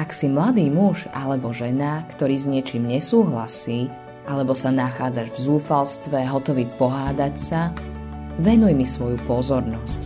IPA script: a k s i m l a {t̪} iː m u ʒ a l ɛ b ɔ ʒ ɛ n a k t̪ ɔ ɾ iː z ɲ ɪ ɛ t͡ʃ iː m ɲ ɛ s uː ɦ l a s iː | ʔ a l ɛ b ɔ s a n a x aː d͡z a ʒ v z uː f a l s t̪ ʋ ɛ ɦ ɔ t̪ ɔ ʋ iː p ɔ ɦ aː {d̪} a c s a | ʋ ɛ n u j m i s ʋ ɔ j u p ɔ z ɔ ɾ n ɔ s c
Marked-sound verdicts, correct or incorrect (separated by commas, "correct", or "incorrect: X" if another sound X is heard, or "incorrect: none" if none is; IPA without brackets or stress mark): incorrect: d̪, correct